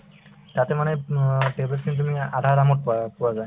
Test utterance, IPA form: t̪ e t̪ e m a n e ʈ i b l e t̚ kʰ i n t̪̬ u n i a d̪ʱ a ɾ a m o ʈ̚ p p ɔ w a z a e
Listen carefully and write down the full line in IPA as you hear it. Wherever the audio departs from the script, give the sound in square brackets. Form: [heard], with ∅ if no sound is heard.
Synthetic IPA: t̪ [a] t̪ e m a n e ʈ [e] b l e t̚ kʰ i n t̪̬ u [m] i a d̪ʱ a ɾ a m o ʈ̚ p p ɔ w a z a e